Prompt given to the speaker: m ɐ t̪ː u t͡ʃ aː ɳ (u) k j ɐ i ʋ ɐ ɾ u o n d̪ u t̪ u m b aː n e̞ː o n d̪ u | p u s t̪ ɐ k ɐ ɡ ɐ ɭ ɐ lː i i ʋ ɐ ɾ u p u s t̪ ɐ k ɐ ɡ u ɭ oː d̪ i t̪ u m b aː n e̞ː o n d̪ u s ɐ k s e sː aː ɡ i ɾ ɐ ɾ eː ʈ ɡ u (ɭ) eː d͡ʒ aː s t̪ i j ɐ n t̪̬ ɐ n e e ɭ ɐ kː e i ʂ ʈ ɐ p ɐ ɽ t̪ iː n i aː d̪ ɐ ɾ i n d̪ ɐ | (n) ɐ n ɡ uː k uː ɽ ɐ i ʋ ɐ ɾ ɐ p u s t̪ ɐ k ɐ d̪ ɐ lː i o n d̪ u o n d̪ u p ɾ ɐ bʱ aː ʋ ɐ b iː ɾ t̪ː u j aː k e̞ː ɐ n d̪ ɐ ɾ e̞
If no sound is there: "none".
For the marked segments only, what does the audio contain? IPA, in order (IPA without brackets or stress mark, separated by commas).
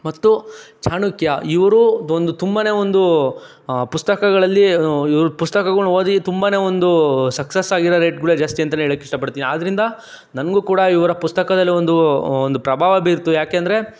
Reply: u, ɭ, n